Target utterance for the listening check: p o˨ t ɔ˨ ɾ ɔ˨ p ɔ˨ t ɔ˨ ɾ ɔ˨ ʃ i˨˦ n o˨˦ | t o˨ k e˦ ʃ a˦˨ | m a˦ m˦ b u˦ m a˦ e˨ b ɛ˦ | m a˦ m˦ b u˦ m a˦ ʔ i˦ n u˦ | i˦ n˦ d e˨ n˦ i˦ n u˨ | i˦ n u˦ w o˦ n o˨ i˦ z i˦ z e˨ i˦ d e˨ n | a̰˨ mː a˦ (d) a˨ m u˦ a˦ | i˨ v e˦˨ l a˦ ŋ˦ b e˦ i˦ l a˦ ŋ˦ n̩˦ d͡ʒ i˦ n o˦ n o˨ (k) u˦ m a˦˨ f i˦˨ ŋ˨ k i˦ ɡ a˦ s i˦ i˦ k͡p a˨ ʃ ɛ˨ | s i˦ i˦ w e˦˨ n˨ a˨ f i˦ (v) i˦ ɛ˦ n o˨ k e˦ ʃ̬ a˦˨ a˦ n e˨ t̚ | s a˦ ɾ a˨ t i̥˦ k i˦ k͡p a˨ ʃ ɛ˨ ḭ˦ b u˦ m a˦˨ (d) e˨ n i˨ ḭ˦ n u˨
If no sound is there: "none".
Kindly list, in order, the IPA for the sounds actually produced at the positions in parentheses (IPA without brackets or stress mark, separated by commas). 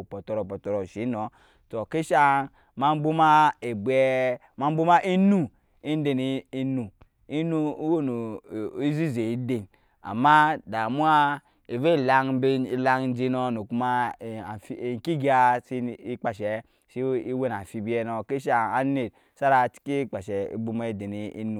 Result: d, k, b, d